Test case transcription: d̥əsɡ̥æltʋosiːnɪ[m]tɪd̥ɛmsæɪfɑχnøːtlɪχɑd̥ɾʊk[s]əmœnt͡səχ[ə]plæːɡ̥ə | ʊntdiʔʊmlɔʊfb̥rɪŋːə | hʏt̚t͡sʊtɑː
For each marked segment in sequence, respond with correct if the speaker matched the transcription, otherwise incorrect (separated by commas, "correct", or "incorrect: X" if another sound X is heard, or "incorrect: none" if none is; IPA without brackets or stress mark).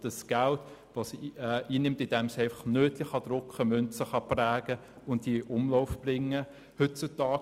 correct, incorrect: χ, incorrect: ɑ